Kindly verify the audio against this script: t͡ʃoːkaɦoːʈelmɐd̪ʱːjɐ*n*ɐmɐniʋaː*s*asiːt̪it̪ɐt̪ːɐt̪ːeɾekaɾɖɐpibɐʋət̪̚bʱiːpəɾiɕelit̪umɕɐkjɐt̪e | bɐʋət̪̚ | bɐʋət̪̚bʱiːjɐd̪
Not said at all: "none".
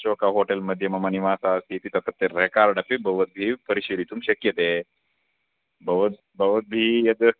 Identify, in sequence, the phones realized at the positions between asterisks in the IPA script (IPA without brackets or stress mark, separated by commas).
m, s